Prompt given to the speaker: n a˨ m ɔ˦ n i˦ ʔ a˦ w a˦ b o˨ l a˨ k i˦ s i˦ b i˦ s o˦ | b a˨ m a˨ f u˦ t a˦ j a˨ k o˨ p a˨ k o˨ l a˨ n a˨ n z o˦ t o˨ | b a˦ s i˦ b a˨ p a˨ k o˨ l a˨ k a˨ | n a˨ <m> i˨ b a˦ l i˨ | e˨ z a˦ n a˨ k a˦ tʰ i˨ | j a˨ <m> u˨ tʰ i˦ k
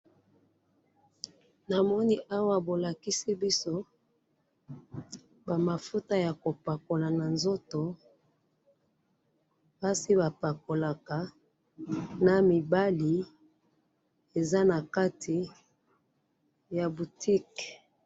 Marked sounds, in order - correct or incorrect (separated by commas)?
correct, incorrect